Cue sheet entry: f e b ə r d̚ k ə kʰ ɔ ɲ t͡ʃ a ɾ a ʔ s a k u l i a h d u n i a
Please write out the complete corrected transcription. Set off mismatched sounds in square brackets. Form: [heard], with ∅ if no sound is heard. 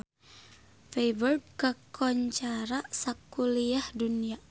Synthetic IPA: f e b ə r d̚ k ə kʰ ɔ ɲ t͡ʃ a ɾ a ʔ s a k u l i a h d u n i a